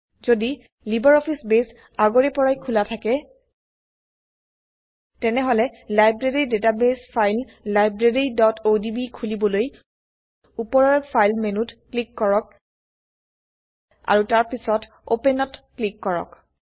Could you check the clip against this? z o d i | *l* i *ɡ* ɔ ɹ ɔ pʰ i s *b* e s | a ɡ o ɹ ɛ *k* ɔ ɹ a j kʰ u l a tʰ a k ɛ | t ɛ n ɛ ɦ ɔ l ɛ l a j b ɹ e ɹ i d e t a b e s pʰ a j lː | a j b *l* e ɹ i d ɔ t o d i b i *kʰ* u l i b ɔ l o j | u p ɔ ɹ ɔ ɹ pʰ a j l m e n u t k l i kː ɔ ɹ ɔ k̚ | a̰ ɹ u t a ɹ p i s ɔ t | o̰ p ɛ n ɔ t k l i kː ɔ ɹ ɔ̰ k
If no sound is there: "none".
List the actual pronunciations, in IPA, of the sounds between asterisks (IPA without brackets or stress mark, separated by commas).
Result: l, b, b, p, ɹ, kʰ